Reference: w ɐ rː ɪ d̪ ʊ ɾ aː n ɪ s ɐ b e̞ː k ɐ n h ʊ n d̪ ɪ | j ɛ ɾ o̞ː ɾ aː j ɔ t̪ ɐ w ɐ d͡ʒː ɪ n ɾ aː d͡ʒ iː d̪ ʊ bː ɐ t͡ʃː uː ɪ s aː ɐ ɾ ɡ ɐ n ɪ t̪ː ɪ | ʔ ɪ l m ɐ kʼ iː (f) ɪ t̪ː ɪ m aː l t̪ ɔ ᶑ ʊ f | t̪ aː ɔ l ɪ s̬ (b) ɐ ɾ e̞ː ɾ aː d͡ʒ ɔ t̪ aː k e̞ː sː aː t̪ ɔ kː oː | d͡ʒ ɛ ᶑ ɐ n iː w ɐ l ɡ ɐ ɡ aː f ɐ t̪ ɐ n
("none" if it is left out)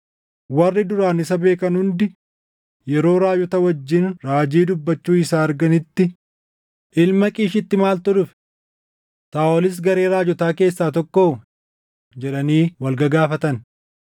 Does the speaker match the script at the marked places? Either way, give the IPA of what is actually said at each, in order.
ʃ, ɡ

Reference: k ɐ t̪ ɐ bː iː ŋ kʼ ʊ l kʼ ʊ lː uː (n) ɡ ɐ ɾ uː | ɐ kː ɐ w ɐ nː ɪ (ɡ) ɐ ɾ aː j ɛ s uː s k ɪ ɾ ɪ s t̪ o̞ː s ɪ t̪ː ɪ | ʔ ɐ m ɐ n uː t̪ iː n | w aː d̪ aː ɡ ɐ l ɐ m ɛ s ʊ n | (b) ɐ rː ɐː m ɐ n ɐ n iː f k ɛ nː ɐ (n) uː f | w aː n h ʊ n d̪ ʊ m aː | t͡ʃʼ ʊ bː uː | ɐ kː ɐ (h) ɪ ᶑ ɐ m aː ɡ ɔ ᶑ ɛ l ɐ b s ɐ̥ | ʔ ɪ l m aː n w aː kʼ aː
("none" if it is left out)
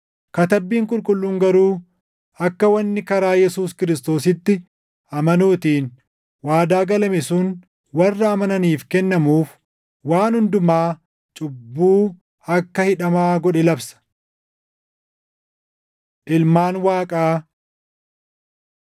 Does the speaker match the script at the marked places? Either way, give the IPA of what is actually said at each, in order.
ŋ, k, w, m, h

